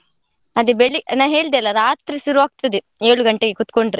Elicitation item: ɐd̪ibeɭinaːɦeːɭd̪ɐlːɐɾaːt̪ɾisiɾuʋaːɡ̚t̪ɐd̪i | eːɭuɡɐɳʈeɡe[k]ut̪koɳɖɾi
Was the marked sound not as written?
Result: no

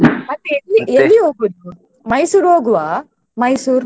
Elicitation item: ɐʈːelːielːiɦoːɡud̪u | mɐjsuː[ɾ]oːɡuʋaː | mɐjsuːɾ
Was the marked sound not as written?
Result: no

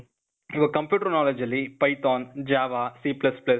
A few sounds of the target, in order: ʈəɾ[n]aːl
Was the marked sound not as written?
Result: no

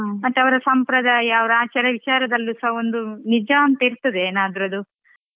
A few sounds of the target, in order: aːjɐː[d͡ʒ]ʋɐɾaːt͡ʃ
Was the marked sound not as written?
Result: yes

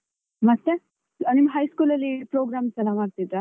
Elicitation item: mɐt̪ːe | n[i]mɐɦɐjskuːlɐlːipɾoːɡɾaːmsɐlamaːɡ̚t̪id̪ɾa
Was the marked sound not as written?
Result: no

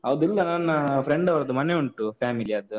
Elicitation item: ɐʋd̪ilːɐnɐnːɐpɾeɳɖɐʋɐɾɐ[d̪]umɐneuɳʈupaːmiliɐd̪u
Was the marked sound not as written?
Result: no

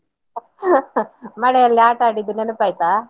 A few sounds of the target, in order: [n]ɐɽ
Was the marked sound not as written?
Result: yes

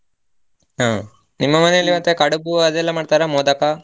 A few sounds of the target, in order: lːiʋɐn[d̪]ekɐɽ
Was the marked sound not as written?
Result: yes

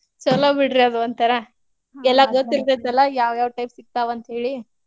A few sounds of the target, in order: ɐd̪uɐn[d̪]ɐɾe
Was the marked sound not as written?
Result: yes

